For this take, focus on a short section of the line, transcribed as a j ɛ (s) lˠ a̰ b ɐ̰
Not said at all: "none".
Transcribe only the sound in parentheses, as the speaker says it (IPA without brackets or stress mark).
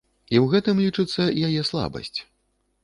s